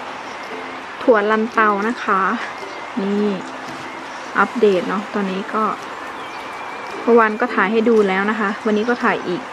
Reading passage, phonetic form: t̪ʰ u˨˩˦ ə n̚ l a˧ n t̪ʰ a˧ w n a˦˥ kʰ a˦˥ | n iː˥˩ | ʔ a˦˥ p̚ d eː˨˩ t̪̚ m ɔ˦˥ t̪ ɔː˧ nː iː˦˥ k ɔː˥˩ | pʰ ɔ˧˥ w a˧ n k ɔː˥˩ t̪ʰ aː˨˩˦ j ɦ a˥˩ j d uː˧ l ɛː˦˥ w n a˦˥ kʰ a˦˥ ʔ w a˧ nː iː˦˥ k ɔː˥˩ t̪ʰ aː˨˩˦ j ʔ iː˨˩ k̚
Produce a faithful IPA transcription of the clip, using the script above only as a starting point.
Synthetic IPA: t̪ʰ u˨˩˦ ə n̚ l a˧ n t̪ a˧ w n a˦˥ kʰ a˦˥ | n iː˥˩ | ʔ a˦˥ p̚ d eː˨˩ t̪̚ n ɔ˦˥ t̪ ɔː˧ nː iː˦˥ k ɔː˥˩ | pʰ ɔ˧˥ w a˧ n k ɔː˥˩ t̪ʰ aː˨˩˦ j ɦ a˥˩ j d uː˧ l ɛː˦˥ w n a˦˥ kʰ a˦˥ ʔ w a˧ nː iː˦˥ k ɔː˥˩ t̪ʰ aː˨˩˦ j ʔ iː˨˩ k̚

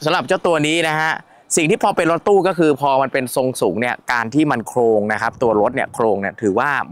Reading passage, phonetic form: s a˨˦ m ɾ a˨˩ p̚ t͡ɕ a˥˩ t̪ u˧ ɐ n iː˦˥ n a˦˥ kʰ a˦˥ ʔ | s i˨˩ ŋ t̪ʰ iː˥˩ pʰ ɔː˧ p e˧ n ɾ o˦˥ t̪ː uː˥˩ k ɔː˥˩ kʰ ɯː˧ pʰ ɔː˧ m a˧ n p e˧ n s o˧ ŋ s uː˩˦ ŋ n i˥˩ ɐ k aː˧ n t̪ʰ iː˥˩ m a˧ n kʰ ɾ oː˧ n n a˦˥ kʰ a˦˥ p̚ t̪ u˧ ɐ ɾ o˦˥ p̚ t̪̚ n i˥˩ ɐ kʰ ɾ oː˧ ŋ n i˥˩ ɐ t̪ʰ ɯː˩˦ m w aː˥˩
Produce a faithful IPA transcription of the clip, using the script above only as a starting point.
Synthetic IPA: s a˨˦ m ɾ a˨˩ p̚ t͡ɕ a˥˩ t̪ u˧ ɐ n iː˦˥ n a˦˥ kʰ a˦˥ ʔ | s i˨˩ ŋ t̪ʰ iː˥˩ pʰ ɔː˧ p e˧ n ɾ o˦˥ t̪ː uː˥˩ k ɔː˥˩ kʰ ɯː˧ pʰ ɔː˧ m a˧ n p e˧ n s o˧ ŋ s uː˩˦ ŋ n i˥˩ ɐ k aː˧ n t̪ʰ iː˥˩ m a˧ n kʰ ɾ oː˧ ŋ n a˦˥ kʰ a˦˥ p̚ t̪ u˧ ɐ ɾ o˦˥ t̪̚ n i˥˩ ɐ kʰ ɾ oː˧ ŋ n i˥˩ ɐ t̪ʰ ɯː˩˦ w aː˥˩

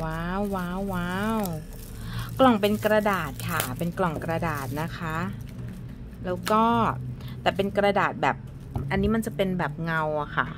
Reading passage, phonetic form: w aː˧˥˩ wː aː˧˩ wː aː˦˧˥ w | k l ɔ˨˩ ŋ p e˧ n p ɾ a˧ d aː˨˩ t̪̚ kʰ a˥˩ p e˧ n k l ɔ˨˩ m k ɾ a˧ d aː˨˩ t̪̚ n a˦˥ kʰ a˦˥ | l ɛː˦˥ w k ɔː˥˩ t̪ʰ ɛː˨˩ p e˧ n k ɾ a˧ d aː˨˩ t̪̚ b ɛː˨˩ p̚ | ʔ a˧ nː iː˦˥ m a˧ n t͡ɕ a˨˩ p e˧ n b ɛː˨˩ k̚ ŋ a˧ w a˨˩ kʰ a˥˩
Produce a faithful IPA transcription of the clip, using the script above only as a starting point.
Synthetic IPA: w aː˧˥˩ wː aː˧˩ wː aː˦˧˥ w | k l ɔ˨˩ ŋ p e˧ n k ɾ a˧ d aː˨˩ t̪̚ kʰ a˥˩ p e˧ n k l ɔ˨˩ ŋ k ɾ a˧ d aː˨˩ t̪̚ n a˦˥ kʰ a˦˥ | l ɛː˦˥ w k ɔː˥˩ t̪ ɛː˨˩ p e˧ n k ɾ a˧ d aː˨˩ t̪̚ b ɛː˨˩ p̚ | ʔ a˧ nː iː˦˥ m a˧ n t͡ɕ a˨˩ p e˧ n b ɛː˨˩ p̚ ŋ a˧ w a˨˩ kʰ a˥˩

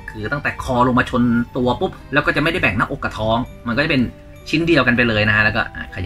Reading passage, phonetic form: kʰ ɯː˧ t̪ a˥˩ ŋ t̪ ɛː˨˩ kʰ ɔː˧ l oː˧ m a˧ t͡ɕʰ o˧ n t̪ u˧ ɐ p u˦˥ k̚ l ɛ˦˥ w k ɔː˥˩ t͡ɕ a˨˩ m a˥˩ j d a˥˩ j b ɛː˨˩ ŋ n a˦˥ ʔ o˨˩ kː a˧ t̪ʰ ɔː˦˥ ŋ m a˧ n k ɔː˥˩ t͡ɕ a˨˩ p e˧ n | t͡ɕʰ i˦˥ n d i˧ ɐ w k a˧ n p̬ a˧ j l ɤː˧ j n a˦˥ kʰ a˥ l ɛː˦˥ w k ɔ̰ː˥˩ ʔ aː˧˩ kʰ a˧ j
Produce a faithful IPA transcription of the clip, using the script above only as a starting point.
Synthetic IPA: kʰ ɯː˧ t̪ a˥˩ ŋ t̪ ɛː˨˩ kʰ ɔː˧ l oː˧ m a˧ t͡ɕʰ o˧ n t̪ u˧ ɐ p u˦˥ p̚ l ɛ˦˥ w k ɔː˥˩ t͡ɕ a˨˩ m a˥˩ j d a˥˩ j b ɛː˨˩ ŋ n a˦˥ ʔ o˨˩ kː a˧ t̪ʰ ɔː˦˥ ŋ m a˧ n k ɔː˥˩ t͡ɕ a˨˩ p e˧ n | t͡ɕʰ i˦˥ n d i˧ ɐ w k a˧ n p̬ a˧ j l ɤː˧ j n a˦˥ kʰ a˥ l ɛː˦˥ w k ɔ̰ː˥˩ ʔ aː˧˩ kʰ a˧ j

